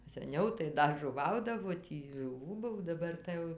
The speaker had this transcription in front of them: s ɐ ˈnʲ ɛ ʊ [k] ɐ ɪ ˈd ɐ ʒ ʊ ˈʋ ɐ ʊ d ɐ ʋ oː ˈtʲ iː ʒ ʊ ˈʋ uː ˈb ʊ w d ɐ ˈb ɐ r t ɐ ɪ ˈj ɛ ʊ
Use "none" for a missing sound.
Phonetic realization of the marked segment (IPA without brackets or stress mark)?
t